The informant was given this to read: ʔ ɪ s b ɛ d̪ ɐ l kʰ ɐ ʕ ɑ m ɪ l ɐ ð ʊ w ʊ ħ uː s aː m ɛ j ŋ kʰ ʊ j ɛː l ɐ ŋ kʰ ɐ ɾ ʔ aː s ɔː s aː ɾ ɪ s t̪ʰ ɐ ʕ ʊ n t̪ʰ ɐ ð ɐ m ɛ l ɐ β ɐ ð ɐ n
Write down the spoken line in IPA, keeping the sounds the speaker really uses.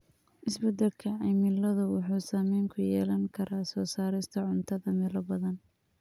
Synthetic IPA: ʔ ɪ s b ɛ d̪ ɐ l kʰ ɐ ʕ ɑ m ɪ l ɐ ð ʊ w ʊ ħ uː s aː m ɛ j ŋ kʰ ʊ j ɛː l ɐ ŋ kʰ ɐ ɾ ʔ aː s ɔː s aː ɾ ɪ s t̪ʰ ɐ ʕ ʊ n t̪ʰ ɐ ð ɐ m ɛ l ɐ b ɐ ð ɐ n